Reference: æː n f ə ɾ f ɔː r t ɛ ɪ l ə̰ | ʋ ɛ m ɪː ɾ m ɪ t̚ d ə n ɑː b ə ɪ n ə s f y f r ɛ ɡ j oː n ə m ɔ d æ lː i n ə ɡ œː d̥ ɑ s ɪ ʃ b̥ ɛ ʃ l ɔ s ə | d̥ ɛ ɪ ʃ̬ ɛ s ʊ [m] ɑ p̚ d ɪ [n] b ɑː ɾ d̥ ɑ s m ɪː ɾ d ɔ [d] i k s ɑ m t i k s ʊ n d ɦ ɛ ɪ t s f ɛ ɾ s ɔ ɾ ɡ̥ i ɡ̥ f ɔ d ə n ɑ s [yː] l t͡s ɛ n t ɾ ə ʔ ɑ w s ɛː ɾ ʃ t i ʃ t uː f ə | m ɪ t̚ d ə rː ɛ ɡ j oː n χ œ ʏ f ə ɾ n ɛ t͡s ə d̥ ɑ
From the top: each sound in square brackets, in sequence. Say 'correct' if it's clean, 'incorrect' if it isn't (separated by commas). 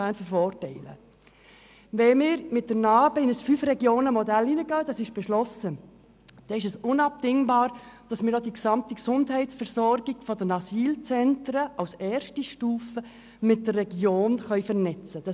incorrect, incorrect, correct, incorrect